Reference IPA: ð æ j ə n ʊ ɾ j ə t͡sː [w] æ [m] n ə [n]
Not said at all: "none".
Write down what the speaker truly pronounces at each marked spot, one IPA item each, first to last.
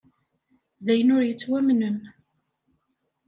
w, m, n

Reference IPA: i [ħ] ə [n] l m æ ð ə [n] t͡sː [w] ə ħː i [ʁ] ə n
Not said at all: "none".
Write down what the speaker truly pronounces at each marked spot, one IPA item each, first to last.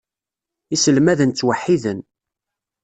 s, none, n, w, ð

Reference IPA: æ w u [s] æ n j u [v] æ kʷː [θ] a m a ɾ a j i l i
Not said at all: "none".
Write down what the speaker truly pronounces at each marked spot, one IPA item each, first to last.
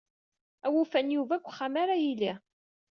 f, v, χ

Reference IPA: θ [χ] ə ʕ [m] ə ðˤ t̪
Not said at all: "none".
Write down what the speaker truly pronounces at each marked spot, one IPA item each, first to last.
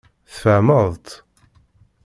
f, m

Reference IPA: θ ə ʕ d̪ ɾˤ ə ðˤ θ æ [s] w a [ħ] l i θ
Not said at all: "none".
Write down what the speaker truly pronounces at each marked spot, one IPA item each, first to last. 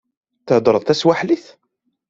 s, ħ

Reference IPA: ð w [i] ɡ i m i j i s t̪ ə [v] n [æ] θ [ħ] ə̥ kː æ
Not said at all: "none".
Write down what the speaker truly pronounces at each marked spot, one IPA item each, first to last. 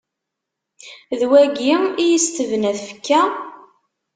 æ, v, æ, f

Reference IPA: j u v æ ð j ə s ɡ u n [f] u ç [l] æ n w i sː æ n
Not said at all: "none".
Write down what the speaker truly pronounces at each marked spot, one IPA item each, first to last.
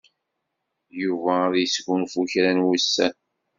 f, ɾ

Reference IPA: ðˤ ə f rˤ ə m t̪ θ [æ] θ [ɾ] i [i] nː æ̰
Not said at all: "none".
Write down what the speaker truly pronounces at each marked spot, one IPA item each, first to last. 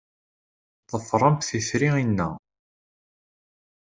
i, ɾ, i

